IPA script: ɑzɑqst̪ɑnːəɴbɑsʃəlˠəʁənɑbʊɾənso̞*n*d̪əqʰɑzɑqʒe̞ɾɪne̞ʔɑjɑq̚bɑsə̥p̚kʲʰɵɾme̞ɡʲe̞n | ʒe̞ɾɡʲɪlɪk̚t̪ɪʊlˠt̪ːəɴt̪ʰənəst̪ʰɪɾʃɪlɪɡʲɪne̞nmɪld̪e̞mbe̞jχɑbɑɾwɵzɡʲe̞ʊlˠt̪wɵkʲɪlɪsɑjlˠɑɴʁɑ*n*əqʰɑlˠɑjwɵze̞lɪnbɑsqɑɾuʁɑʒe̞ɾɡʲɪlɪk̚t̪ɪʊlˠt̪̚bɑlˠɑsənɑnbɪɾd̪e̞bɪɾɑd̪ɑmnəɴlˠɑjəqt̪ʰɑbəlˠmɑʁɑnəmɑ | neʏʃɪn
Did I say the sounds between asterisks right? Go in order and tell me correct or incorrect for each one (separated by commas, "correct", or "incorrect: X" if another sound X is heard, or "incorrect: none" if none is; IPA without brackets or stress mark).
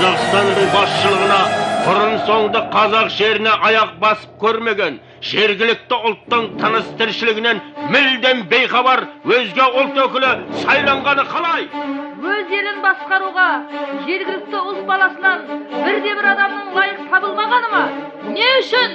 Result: incorrect: ɴ, correct